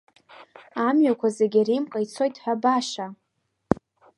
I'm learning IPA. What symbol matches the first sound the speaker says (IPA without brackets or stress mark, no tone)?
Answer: a